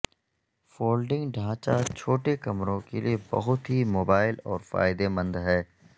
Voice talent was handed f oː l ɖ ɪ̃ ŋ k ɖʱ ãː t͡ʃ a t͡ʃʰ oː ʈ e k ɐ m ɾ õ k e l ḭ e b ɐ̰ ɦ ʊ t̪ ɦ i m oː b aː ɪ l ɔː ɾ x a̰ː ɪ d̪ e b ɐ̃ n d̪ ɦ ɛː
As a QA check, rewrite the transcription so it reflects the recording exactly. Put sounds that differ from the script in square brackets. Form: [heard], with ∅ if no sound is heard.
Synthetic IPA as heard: f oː l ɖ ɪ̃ ŋ [ɡ] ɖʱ ãː t͡ʃ a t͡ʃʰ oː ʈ e k ɐ m ɾ õ k e l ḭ e b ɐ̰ ɦ ʊ t̪ ɦ i m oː b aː ɪ l ɔː ɾ [f] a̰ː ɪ d̪ e [m] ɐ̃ n d̪ ɦ ɛː